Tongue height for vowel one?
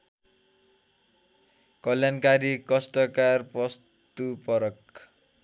mid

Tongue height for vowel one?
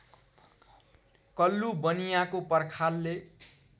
mid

